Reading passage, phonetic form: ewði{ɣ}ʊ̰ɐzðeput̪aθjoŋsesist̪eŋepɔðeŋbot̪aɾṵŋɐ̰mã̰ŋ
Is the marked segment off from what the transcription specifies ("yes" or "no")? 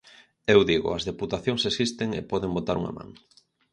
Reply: no